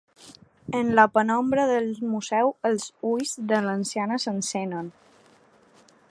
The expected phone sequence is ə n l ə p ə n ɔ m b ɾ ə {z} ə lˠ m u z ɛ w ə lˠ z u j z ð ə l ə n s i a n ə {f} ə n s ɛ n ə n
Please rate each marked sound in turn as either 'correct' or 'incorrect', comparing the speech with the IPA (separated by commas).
incorrect, incorrect